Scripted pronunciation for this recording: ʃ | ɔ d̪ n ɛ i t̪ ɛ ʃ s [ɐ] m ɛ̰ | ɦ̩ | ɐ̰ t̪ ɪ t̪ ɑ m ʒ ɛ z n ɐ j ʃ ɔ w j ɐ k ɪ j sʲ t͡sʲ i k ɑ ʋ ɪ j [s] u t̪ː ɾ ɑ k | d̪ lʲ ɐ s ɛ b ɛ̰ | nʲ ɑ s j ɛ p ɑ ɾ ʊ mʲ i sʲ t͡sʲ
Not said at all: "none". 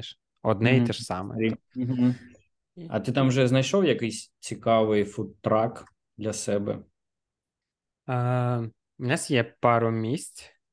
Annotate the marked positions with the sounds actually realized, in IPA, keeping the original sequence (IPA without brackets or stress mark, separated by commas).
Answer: ɑ, f